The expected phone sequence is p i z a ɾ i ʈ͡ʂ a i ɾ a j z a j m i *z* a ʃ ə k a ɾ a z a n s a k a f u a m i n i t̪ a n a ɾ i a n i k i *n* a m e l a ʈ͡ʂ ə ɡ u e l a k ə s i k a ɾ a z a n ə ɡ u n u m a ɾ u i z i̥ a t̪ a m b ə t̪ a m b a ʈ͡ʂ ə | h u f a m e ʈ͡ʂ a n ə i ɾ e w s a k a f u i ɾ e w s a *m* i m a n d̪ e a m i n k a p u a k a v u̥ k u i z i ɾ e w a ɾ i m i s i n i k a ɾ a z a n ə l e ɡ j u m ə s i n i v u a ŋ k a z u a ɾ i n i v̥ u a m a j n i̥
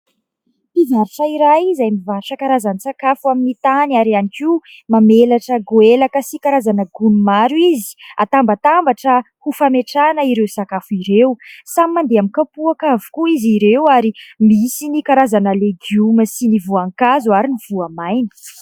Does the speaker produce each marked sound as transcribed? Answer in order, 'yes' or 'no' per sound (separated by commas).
no, no, yes